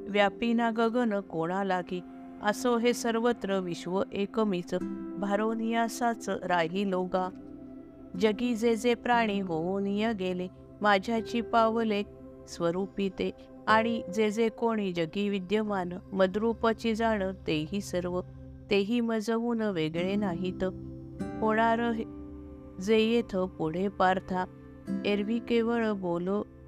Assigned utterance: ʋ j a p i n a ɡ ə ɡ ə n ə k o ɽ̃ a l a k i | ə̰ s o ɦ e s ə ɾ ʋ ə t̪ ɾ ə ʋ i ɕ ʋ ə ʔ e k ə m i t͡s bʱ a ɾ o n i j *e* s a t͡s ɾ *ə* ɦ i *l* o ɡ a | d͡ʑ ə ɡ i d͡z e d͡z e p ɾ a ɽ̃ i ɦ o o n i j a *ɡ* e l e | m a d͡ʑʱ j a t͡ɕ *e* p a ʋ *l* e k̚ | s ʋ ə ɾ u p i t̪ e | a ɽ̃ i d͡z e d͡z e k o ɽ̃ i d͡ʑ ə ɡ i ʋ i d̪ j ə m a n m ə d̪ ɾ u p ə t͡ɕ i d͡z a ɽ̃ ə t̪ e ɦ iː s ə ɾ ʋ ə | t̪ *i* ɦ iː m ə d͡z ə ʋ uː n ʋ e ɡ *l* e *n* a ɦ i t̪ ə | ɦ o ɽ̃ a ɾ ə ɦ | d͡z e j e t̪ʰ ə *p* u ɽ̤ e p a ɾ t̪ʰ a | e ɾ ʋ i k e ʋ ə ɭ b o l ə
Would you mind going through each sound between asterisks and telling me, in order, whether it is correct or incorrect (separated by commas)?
incorrect, incorrect, correct, correct, incorrect, correct, incorrect, incorrect, correct, correct